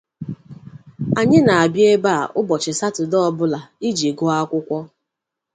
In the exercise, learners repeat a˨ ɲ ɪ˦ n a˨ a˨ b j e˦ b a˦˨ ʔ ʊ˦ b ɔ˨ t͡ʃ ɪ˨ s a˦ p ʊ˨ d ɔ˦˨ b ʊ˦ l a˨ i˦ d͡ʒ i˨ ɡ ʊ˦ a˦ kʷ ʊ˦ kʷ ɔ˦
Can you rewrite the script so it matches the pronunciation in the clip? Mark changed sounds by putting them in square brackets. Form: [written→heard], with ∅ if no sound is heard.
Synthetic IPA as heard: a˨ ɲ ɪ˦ n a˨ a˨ b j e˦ b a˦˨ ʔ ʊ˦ b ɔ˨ t͡ʃ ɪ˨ s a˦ [p→t] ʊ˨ d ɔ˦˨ b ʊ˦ l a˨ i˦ d͡ʒ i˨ ɡ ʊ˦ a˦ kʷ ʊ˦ kʷ ɔ˦